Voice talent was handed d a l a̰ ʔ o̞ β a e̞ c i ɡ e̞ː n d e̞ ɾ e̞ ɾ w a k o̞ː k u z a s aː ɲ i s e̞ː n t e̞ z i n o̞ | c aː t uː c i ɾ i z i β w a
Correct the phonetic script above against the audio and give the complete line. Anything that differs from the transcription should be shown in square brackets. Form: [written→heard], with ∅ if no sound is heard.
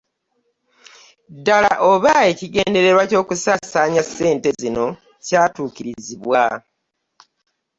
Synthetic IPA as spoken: d a l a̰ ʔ o̞ β a e̞ c i ɡ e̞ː n d e̞ ɾ e̞ ɾ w a [k→c] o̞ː k u [z→s] a s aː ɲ [i→a] s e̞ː n t e̞ z i n o̞ | c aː t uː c i ɾ i z i β w a